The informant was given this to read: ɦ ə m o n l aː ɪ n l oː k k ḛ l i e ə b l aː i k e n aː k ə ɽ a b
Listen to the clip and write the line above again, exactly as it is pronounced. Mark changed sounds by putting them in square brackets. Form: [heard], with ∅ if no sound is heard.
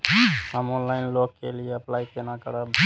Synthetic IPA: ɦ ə m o n l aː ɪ n l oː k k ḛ l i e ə [p] l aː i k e n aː k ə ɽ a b